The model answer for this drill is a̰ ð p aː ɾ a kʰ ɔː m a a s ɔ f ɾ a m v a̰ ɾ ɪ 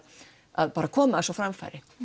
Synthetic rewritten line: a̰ ð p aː ɾ a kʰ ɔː m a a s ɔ f ɾ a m f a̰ ɾ ɪ